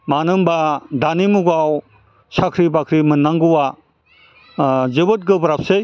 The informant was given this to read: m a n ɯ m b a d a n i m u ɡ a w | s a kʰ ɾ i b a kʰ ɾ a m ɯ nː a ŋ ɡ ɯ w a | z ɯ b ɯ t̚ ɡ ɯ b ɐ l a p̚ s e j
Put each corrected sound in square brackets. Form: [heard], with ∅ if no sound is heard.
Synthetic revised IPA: m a n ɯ m b a d a n i m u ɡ a w | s a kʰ ɾ i b a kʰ ɾ [i] m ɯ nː a ŋ ɡ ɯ w a | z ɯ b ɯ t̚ ɡ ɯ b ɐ [ɾ] a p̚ s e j